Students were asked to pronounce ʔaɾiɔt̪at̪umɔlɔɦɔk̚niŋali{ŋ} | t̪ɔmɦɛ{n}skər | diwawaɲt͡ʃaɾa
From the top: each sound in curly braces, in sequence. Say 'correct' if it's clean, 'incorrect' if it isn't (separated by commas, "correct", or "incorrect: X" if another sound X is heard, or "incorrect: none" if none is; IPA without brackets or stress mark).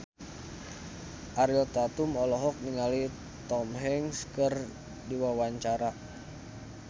incorrect: none, incorrect: ŋ